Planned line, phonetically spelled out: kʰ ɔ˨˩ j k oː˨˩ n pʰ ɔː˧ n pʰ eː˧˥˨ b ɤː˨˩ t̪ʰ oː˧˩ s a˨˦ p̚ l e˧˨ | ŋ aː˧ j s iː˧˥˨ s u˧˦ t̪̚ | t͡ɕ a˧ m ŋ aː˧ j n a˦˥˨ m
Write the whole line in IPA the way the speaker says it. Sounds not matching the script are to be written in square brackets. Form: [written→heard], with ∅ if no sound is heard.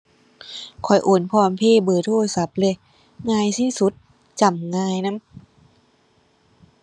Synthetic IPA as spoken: kʰ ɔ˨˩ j [k→ʔ] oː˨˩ n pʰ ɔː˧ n pʰ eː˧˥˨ b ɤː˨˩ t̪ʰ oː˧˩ s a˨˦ p̚ l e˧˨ | ŋ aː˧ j s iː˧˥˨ s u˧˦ t̪̚ | t͡ɕ [a˧→a˨˩] m ŋ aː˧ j n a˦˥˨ m